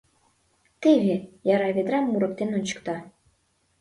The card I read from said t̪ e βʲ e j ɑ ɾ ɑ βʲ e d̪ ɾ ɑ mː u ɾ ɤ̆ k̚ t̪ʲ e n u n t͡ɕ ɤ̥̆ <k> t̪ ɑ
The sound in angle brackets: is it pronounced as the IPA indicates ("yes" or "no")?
yes